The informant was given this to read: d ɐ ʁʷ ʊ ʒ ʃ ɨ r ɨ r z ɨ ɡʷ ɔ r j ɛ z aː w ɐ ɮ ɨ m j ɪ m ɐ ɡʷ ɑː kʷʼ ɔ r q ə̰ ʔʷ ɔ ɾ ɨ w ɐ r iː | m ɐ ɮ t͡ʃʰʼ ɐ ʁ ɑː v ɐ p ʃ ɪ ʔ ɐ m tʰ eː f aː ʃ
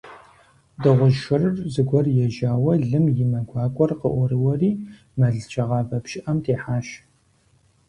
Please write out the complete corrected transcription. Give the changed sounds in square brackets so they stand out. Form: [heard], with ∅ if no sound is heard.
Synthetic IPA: d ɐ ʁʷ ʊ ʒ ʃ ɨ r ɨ r z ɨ ɡʷ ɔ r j ɛ [ʒ] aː w ɐ ɮ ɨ m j ɪ m ɐ ɡʷ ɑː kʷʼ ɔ r q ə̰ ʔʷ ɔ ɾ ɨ w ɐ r iː | m ɐ ɮ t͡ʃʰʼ ɐ ʁ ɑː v ɐ p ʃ ɪ ʔ ɐ m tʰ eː [ħ] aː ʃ